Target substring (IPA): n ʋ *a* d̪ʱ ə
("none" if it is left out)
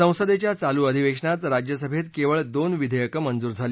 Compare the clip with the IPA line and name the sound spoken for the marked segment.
i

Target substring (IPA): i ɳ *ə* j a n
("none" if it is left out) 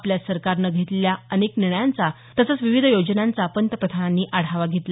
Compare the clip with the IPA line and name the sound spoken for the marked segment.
ə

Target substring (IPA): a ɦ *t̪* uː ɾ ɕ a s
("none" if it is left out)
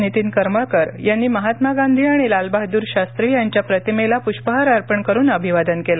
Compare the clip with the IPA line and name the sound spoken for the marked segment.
d̪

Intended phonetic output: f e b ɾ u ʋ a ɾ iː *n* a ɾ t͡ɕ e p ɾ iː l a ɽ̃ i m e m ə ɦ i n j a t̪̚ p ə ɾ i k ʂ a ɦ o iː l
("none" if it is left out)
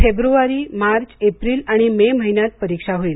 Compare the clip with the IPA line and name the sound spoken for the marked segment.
m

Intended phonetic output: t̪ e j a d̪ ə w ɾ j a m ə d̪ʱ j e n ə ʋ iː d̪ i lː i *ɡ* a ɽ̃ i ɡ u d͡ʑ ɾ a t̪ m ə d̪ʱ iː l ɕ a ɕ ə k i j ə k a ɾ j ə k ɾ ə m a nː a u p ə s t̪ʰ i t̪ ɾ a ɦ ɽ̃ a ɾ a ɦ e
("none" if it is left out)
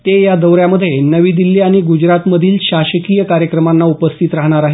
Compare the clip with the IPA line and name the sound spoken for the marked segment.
none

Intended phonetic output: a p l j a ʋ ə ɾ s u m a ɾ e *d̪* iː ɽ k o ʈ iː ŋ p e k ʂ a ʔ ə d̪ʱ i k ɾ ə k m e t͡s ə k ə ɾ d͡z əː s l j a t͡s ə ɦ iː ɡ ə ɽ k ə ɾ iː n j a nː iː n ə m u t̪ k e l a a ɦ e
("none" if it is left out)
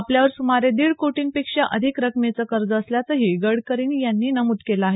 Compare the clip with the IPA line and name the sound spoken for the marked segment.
d̪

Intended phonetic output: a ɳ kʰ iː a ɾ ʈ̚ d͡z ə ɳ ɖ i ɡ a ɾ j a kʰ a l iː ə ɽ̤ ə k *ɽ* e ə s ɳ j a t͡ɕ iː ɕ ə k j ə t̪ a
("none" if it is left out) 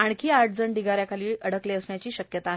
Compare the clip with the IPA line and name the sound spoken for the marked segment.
l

